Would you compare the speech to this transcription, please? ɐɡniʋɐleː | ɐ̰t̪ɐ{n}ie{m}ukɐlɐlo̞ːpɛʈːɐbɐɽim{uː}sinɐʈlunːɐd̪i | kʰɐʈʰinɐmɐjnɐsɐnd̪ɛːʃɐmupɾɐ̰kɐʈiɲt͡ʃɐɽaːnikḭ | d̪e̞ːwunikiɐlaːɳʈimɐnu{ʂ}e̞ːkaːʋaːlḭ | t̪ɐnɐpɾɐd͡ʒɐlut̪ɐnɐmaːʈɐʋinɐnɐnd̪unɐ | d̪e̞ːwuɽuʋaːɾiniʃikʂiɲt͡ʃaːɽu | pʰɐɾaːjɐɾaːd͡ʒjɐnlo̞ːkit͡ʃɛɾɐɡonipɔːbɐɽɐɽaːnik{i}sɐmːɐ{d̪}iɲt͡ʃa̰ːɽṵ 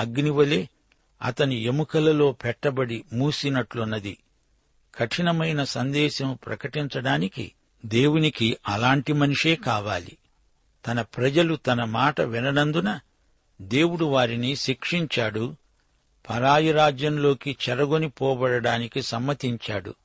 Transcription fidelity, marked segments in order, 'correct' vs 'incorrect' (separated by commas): correct, correct, correct, correct, correct, incorrect